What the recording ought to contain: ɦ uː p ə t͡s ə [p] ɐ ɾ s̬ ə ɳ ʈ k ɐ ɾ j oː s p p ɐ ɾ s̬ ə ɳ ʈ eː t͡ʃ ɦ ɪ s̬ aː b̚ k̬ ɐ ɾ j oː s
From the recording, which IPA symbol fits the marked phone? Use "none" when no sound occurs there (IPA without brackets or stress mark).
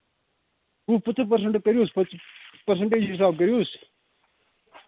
p